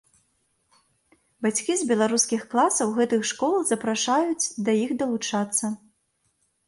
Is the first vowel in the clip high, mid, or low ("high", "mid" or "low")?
low